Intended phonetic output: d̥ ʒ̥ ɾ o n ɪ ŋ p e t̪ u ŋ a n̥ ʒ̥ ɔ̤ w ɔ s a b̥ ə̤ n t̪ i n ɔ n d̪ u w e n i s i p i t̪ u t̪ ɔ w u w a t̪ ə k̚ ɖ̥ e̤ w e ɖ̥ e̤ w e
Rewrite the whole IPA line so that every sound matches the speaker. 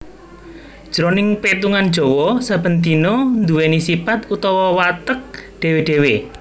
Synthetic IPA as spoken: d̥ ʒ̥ ɾ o n ɪ ŋ p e t̪ u ŋ a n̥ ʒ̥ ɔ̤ w ɔ s a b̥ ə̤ n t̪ i n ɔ n d̪ u w e n i s i p a t̪ u t̪ ɔ w ɔ w a t̪ ə k̚ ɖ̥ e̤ w e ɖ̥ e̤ w e